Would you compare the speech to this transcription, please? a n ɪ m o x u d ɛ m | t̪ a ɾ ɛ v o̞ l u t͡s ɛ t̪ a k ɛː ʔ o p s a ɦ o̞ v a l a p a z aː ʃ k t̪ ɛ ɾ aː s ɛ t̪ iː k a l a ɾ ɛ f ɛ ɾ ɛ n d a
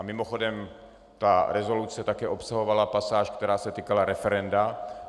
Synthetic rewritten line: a m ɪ m o x o d ɛ m | t̪ a ɾ ɛ z o̞ l u t͡s ɛ t̪ a k ɛː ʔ o p s a ɦ o̞ v a l a p a s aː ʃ k t̪ ɛ ɾ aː s ɛ t̪ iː k a l a ɾ ɛ f ɛ ɾ ɛ n d a